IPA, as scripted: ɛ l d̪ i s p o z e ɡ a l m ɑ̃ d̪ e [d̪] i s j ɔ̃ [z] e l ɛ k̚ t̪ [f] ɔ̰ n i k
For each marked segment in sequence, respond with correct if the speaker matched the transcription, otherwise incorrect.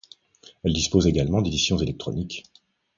correct, correct, incorrect: χ

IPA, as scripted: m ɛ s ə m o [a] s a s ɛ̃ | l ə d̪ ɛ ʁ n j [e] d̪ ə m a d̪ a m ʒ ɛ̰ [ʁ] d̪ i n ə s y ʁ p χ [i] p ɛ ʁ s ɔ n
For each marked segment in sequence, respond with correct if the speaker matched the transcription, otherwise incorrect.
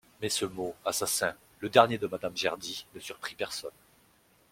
correct, correct, correct, correct

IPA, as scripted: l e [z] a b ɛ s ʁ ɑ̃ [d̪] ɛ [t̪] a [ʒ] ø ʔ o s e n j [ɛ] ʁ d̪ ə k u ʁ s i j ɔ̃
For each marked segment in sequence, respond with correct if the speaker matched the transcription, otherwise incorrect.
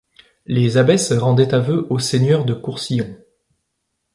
correct, correct, correct, incorrect: v, incorrect: œ

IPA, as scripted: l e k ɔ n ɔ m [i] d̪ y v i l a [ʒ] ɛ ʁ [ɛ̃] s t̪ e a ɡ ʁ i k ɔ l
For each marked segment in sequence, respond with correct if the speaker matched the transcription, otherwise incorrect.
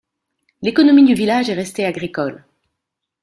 correct, correct, incorrect: ɛ

